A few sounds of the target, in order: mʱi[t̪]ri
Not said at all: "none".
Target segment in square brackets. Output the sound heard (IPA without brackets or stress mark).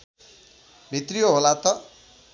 t̪